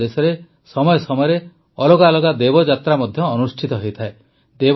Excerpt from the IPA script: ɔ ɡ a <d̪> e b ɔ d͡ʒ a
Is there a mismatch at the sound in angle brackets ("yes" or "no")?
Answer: no